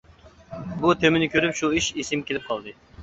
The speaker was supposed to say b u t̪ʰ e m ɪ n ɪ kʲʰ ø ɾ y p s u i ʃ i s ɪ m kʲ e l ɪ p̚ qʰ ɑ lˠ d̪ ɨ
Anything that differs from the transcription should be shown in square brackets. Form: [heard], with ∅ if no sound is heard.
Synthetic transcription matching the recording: b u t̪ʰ e m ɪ n ɪ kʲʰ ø ɾ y p [ʃ] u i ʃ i s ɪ m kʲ e l ɪ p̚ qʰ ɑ lˠ d̪ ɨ